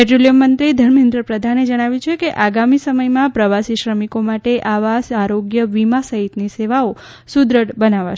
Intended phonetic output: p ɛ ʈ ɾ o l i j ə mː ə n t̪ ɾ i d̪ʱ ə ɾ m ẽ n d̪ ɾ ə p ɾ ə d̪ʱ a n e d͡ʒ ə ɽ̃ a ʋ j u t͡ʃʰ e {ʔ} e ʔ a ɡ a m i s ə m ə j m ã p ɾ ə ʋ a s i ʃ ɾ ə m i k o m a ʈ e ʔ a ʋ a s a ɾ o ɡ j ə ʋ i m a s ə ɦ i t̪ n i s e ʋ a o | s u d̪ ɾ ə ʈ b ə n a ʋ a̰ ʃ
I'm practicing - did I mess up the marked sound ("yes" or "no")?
yes